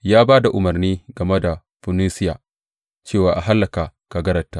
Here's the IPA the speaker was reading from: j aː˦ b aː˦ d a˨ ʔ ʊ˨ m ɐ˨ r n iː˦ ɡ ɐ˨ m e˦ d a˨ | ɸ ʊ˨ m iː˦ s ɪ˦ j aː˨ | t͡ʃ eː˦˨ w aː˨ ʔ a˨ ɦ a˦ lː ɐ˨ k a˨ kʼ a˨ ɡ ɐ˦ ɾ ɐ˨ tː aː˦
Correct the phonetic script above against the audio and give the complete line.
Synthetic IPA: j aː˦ b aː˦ d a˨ ʔ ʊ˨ m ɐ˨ r n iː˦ ɡ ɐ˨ m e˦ d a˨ | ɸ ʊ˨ n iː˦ s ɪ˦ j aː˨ | t͡ʃ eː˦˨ w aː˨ ʔ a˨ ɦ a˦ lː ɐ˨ k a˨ k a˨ ɡ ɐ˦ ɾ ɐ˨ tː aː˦

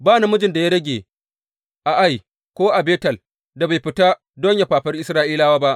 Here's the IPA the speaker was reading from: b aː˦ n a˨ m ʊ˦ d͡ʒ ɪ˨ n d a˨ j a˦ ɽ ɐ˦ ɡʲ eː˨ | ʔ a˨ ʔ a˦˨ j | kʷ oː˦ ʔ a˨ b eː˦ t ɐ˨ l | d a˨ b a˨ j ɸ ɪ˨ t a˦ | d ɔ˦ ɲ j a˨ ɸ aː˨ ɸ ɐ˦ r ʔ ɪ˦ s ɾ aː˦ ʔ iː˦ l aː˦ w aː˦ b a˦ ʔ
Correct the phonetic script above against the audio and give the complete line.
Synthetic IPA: b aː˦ n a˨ m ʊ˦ d͡ʒ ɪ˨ n d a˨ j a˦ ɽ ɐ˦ ɡʲ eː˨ | ʔ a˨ ʔ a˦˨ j | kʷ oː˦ ʔ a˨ b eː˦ t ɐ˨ l | d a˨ b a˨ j ɸ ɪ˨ t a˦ | d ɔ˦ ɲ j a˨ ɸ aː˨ ɸ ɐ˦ r ʔ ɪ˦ s ɾ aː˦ ʔ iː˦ l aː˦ w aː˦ b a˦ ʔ

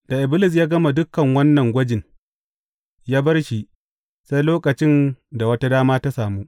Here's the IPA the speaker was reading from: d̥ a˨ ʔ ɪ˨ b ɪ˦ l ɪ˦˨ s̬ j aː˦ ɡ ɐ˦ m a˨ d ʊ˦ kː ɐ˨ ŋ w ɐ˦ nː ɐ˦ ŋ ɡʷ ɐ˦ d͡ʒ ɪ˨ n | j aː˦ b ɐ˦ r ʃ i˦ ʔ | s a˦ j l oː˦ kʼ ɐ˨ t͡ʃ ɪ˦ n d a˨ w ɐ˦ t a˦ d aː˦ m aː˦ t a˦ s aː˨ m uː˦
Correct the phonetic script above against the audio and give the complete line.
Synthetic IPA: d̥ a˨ ʔ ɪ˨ b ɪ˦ l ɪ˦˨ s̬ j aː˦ ɡ ɐ˦ m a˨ d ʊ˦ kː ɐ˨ ŋ w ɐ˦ nː ɐ˨ ŋ ɡʷ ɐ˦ d͡ʒ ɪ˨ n | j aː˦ b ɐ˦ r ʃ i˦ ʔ | s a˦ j l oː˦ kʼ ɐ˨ t͡ʃ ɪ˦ n d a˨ w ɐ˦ t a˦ d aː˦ m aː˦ t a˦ s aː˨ m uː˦

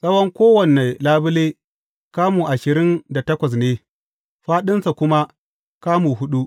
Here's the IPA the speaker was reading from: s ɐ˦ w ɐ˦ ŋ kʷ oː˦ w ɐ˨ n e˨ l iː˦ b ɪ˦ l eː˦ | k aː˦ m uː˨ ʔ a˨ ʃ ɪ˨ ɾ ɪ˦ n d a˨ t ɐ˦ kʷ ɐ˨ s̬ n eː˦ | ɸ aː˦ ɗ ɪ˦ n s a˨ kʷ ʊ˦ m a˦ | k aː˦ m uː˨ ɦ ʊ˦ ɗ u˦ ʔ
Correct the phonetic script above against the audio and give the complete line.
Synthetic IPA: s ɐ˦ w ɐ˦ ŋ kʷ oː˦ w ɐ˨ n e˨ l aː˦ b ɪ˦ l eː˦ | k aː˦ m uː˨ ʔ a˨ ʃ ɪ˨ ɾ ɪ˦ n d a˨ t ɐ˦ kʷ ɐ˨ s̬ n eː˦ | ɸ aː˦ ɗ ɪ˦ n s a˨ kʷ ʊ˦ m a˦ | k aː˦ m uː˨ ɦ ʊ˦ ɗ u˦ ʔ

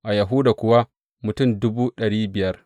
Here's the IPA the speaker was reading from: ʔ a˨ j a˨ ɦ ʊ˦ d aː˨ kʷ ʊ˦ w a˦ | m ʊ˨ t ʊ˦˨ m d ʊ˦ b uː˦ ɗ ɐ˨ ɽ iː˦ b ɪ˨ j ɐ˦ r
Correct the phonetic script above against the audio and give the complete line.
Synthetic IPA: ʔ a˨ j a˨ ɦ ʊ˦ d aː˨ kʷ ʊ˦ w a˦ | m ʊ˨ t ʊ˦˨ m d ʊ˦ b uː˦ ɗ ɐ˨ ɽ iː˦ b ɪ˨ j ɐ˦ r

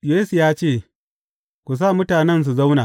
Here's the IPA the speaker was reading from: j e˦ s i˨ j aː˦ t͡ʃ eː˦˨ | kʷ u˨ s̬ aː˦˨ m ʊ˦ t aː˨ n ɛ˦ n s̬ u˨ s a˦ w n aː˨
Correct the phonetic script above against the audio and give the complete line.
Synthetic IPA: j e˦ s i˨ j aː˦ t͡ʃ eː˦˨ | kʷ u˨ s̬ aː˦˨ m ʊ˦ t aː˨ n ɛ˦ n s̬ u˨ z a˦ w n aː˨

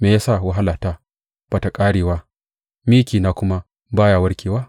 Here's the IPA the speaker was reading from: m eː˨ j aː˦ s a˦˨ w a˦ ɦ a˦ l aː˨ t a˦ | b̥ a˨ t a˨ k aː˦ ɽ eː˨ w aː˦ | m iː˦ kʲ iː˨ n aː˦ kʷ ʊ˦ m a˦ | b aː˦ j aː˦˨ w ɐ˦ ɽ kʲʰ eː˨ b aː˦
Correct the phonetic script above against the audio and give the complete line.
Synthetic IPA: m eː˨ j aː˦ s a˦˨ w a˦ ɦ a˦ l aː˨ t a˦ | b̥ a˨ t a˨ kʼ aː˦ ɽ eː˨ w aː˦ | m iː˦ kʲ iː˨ n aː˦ kʷ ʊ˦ m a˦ | b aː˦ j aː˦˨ w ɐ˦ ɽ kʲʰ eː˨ w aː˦

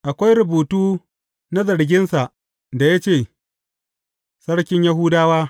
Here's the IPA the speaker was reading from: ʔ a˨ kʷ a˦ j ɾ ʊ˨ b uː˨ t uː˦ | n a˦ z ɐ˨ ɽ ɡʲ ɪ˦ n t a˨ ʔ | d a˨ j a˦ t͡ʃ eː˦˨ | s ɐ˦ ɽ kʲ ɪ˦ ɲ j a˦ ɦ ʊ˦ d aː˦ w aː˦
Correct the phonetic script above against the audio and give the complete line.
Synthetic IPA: ʔ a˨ kʷ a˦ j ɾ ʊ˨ b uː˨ t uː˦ | n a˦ z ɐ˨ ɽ ɡʲ ɪ˦ n s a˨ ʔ | d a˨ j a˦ t͡ʃ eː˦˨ | s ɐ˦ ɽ kʲ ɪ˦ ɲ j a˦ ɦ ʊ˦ d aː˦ w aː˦

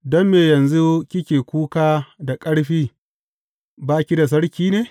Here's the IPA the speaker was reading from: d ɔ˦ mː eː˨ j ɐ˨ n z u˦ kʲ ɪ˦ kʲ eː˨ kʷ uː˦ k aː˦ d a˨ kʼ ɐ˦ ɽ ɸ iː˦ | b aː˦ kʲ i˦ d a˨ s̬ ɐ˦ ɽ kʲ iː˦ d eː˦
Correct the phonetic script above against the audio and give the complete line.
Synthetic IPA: d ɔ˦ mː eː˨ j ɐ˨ n z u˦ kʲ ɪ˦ kʲ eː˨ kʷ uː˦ k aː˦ d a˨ kʼ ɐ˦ ɽ ɸ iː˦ | b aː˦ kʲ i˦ d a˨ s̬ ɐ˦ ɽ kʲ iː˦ n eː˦

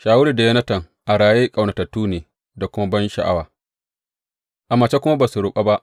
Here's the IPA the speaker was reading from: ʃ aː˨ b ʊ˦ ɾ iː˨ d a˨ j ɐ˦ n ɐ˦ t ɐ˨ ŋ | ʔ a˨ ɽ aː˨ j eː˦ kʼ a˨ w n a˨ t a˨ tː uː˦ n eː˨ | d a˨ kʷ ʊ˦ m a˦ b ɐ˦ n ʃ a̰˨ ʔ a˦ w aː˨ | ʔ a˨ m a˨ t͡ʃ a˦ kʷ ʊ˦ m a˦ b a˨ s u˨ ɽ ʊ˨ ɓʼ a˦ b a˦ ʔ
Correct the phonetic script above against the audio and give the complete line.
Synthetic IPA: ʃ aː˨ w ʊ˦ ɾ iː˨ d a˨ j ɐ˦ n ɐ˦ t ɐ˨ ŋ | ʔ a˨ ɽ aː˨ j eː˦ kʼ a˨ w n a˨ t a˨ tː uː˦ n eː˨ | d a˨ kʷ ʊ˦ m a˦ b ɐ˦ n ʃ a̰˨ ʔ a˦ w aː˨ | ʔ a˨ m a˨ t͡ʃ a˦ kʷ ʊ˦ m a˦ b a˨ s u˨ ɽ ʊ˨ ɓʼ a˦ b a˦ ʔ

